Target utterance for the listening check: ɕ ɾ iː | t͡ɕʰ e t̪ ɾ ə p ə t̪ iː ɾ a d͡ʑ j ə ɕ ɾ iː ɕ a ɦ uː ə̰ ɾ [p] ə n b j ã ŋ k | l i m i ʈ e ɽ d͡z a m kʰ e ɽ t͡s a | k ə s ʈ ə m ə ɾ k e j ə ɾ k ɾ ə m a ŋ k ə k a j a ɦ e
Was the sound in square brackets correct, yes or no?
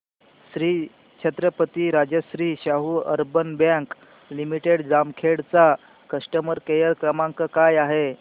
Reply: no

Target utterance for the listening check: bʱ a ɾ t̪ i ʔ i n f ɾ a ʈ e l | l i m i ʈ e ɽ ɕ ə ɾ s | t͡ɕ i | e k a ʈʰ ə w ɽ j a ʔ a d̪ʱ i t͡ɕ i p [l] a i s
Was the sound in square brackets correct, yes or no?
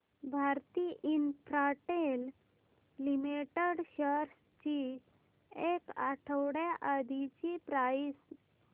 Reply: no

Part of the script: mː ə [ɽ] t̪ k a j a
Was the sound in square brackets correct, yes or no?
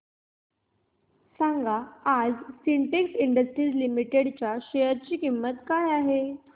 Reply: no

